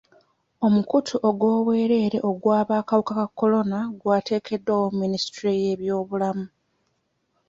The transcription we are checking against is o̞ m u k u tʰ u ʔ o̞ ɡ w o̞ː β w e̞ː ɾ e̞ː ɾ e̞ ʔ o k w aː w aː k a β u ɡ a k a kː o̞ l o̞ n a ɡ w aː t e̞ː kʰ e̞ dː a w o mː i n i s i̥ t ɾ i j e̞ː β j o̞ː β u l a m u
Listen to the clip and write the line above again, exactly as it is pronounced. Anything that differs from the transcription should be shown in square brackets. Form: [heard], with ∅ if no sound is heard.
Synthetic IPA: o̞ m u k u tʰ u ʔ o̞ ɡ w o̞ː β w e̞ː ɾ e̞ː ɾ e̞ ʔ o [ɡ] w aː [β] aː k a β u [k] a k a kː o̞ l o̞ n a ɡ w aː t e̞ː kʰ e̞ dː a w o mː i n i s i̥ t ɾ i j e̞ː β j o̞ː β u l a m u